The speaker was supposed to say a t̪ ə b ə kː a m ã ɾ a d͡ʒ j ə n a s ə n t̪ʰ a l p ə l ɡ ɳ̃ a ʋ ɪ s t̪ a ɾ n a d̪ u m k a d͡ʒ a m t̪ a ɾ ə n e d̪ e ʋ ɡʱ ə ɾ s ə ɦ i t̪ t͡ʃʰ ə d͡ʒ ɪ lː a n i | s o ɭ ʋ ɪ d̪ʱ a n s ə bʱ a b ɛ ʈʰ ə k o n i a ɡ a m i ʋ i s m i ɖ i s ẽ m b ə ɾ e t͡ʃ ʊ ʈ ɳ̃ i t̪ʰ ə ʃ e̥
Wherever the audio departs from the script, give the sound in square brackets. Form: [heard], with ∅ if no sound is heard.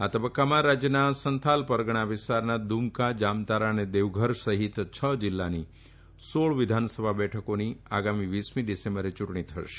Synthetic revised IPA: a t̪ ə b ə kː a m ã ɾ a d͡ʒ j ə n a s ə n t̪ʰ a l p ə [ɾ] ɡ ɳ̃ a ʋ ɪ s t̪ a ɾ n a d̪ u m k a d͡ʒ a m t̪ a ɾ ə n e d̪ e ʋ ɡʱ ə ɾ s ə ɦ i t̪ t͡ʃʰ ə d͡ʒ ɪ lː a n i | s o ɭ ʋ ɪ d̪ʱ a n s ə bʱ a b ɛ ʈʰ ə k o n i a ɡ a m i ʋ i s m i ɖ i s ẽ m b ə ɾ e t͡ʃ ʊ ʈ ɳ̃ i t̪ʰ ə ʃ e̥